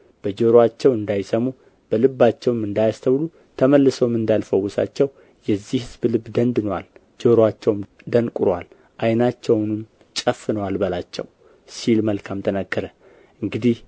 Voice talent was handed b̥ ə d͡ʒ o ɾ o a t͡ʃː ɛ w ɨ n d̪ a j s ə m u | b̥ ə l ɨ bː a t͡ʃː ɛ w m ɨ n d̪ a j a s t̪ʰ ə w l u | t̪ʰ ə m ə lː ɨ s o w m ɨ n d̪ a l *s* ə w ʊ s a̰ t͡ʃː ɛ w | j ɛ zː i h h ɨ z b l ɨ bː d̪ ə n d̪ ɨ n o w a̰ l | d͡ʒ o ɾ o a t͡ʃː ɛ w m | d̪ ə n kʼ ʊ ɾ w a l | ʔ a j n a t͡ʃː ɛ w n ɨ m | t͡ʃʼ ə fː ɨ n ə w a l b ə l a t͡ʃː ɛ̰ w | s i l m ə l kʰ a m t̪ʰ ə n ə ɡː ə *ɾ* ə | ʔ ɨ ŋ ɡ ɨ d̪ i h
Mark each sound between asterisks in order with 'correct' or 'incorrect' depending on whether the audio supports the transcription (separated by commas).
incorrect, correct